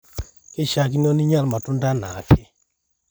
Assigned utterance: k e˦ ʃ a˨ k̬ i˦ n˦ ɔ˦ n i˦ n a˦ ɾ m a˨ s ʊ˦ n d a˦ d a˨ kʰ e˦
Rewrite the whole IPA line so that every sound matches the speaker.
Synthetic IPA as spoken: k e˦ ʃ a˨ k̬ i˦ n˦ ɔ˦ n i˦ ɲ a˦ l m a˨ t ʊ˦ n d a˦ n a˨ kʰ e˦